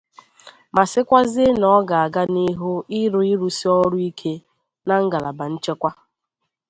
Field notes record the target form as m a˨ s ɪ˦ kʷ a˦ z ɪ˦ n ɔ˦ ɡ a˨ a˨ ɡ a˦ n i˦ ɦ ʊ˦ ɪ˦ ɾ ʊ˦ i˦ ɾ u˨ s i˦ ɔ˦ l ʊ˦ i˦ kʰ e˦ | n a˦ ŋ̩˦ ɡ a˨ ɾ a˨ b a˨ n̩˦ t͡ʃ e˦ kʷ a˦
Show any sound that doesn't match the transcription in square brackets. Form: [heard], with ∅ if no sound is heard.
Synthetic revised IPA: m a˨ s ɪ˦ kʷ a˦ z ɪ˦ n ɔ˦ ɡ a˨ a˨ ɡ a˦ n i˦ ɦ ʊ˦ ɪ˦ ɾ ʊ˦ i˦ ɾ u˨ s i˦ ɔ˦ [ɾ] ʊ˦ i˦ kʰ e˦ | n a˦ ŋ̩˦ ɡ a˨ [l] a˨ b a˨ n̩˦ t͡ʃ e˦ kʷ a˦

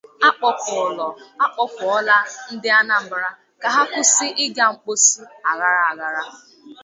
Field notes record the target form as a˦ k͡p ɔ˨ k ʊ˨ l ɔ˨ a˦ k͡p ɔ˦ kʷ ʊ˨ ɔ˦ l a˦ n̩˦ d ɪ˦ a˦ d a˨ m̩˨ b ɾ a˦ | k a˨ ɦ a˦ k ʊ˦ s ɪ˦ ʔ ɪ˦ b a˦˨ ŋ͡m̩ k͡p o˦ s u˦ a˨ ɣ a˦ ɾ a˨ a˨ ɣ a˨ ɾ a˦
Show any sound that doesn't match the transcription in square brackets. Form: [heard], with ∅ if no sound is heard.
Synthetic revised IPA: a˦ k͡p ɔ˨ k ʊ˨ l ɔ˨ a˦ k͡p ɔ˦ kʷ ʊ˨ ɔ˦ l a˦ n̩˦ d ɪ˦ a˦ [n] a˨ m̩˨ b ɾ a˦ | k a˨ ɦ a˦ k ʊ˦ s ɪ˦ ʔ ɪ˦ [ɡ] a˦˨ ŋ͡m̩ k͡p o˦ s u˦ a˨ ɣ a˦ ɾ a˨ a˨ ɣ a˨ ɾ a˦

